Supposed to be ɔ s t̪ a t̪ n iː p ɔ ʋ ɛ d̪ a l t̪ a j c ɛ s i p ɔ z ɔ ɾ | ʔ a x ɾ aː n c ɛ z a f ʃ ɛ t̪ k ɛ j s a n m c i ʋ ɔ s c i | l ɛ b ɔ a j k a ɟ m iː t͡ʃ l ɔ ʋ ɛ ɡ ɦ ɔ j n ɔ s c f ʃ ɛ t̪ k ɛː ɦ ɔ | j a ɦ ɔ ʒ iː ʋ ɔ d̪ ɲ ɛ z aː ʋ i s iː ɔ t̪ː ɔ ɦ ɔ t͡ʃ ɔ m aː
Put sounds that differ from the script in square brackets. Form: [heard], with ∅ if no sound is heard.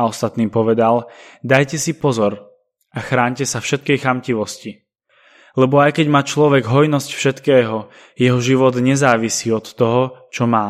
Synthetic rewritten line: ɔ s t̪ a t̪ n iː p ɔ ʋ ɛ d̪ a l [d̪] a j c ɛ s i p ɔ z ɔ ɾ | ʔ a x ɾ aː [ɲ] c ɛ [s] a f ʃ ɛ t̪ k ɛ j [x] a [∅] m c i ʋ ɔ s c i | l ɛ b ɔ a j k [ɛ] ɟ m [aː] t͡ʃ l ɔ ʋ ɛ ɡ ɦ ɔ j n ɔ s c f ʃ ɛ t̪ k ɛː ɦ ɔ | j [ɛ] ɦ ɔ ʒ [i] ʋ ɔ d̪ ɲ ɛ z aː ʋ i s iː ɔ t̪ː ɔ ɦ ɔ t͡ʃ ɔ m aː